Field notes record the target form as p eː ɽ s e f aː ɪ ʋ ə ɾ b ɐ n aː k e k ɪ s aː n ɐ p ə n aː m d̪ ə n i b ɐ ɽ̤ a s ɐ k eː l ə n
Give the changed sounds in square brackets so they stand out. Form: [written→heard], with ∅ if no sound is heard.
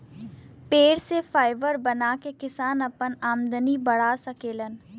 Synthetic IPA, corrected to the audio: p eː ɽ s e f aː ɪ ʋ ə ɾ b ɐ n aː k e k ɪ s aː n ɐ p ə n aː m d̪ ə n i b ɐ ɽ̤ a s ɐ k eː l ə n